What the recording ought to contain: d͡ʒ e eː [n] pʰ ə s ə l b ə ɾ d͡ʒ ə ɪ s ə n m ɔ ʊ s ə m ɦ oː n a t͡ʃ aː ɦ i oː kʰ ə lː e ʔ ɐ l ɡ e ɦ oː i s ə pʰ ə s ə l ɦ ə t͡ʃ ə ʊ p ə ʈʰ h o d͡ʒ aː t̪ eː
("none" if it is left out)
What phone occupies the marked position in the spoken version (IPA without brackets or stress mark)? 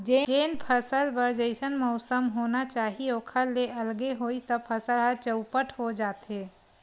n